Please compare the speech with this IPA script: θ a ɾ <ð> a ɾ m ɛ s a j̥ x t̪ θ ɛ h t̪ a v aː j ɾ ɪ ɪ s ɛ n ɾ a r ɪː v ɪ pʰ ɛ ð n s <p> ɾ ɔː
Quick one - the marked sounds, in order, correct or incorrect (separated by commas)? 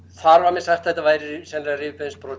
incorrect, correct